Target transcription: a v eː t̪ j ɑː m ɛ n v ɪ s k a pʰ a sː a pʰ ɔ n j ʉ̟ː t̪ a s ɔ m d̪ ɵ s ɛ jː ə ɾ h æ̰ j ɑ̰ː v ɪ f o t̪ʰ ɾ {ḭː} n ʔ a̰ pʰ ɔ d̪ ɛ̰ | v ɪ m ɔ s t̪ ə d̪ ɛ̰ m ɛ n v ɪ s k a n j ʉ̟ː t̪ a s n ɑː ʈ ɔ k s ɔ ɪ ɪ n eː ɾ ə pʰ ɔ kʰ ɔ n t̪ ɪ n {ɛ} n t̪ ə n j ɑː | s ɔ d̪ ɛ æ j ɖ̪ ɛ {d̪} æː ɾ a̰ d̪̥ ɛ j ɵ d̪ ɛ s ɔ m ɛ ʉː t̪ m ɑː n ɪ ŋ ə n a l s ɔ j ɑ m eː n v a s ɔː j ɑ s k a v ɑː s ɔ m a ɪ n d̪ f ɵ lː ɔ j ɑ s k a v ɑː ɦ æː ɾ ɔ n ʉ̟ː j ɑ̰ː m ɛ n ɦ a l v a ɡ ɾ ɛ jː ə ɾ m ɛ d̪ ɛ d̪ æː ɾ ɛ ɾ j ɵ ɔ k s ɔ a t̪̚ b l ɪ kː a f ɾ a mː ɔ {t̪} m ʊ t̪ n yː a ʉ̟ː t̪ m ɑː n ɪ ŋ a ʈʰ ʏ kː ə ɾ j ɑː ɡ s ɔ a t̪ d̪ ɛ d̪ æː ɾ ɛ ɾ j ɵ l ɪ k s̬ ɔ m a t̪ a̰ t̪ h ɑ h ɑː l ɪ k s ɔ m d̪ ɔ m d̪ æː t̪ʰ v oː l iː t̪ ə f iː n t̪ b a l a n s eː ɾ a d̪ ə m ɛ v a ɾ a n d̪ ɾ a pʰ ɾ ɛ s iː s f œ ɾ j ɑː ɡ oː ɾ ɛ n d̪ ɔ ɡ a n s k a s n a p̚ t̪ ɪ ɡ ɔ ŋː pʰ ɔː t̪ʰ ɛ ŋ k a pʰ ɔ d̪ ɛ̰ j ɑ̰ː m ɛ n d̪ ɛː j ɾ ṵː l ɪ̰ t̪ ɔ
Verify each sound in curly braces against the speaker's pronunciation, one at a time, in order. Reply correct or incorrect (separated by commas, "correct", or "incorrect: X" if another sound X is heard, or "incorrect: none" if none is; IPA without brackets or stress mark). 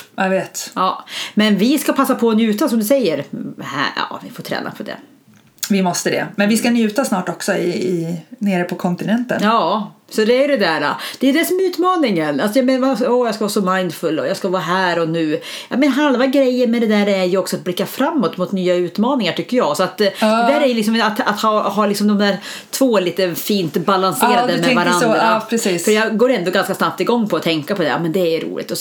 incorrect: ɛ̰ː, correct, correct, correct